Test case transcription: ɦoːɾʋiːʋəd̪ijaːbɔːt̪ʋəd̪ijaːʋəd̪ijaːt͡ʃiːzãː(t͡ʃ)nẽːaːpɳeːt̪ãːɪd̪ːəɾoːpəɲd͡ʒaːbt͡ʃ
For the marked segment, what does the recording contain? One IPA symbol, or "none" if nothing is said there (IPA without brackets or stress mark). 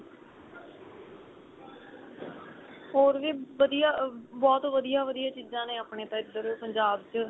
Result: none